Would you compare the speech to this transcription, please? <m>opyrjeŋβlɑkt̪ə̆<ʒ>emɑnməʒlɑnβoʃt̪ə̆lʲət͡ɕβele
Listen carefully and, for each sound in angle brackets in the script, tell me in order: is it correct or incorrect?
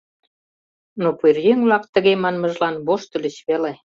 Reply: incorrect: n, incorrect: ɣ

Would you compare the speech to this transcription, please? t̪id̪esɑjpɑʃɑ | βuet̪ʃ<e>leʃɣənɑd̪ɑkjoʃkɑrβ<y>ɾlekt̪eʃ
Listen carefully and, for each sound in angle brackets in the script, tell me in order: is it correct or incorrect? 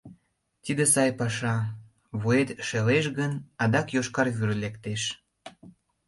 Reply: correct, correct

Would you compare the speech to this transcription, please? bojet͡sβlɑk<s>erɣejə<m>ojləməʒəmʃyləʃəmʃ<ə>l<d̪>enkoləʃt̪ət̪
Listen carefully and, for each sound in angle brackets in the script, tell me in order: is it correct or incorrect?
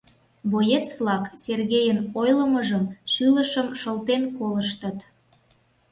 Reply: correct, incorrect: n, correct, incorrect: t̪

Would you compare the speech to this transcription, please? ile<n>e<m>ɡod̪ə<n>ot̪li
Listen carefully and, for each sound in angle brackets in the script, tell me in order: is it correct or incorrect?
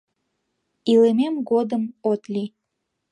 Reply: incorrect: m, correct, incorrect: m

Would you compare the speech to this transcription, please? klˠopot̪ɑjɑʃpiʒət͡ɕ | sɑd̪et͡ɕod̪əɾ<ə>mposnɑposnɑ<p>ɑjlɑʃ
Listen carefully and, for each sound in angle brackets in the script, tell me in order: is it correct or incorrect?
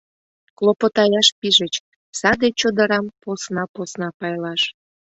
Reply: incorrect: ɑ, correct

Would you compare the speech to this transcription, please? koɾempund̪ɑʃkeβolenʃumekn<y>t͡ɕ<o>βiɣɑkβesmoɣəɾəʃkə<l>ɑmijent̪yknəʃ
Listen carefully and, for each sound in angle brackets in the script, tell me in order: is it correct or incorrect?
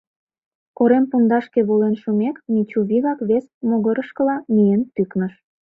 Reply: incorrect: i, incorrect: u, correct

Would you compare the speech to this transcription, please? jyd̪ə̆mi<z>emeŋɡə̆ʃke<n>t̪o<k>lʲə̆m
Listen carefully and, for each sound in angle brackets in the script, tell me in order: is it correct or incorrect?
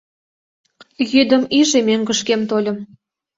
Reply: incorrect: ʒ, incorrect: m, incorrect: none

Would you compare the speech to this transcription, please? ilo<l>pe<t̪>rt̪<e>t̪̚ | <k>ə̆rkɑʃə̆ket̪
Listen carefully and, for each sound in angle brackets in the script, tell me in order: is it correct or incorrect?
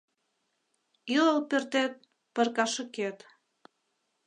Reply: correct, incorrect: none, correct, incorrect: p

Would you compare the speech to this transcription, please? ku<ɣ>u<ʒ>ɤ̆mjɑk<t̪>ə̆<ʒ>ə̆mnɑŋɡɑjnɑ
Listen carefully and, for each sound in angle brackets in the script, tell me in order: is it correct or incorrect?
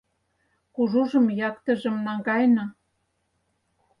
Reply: incorrect: ʒ, correct, correct, correct

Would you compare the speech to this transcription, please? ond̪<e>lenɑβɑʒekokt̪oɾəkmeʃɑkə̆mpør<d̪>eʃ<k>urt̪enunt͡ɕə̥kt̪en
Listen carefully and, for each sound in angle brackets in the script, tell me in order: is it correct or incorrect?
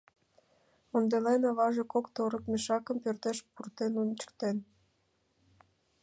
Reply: correct, incorrect: t̪, incorrect: p

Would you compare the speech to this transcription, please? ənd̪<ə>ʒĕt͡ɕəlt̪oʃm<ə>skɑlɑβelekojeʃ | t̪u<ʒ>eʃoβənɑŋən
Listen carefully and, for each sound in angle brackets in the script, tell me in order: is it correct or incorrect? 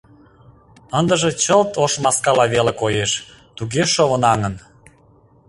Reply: correct, incorrect: ɑ, incorrect: ɣ

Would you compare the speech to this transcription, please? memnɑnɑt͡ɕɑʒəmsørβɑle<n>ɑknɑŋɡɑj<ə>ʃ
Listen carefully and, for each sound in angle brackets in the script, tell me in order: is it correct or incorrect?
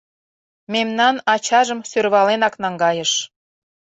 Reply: correct, correct

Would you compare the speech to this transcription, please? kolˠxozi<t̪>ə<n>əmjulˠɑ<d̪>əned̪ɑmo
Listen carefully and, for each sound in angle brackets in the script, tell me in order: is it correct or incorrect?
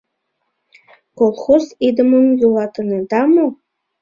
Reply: incorrect: d̪, incorrect: m, incorrect: t̪

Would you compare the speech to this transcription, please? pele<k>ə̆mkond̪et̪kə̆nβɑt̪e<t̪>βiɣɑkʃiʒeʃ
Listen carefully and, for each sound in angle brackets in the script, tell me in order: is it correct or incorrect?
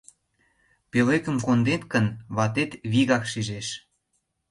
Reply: correct, correct

